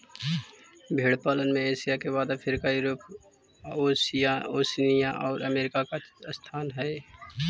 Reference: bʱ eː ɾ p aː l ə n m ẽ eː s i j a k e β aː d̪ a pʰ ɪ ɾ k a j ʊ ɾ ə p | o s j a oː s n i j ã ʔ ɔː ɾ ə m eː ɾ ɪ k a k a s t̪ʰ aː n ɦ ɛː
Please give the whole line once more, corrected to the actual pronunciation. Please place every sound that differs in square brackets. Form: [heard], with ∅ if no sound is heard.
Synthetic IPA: bʱ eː [ɽ] p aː l ə n m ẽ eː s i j a k e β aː d̪ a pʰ ɪ ɾ k a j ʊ ɾ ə p | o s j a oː s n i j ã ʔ ɔː ɾ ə m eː ɾ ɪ k a k a s t̪ʰ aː n ɦ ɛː